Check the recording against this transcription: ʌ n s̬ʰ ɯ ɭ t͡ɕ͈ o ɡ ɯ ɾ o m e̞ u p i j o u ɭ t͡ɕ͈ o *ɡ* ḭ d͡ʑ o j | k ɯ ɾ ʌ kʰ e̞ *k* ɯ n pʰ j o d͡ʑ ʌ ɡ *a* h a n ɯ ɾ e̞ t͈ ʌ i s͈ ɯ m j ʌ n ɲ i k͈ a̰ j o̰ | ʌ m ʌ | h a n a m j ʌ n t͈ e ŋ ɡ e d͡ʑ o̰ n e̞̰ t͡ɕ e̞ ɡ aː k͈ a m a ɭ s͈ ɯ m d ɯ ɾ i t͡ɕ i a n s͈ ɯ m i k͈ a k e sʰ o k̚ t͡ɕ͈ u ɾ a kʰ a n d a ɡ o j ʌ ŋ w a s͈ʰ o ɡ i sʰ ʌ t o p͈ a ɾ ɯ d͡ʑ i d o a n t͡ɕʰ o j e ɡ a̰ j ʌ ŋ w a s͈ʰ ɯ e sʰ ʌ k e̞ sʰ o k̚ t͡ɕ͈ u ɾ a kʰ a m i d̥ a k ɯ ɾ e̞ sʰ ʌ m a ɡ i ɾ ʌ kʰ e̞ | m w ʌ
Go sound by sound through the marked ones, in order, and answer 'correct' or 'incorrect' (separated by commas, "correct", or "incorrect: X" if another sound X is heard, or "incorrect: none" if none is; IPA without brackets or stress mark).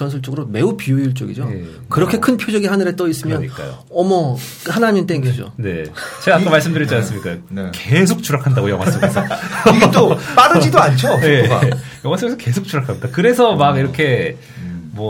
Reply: correct, incorrect: kʰ, incorrect: i